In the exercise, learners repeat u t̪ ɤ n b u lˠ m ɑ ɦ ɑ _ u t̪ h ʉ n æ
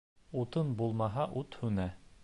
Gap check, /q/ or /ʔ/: ʔ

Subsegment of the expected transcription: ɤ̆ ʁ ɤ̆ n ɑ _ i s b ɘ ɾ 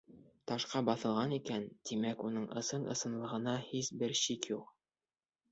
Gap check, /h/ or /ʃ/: h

